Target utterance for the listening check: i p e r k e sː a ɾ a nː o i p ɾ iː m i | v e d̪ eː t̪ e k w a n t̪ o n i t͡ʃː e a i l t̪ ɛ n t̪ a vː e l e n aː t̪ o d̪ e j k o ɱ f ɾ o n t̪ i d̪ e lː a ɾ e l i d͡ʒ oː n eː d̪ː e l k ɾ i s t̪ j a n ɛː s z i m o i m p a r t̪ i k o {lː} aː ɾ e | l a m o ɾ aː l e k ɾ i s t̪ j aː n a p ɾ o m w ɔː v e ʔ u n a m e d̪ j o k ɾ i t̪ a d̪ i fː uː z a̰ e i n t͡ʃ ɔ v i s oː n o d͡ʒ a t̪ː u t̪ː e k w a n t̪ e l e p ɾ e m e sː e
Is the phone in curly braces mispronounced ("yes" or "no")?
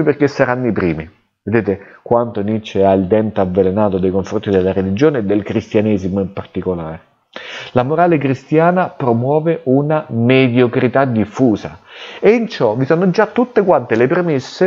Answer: yes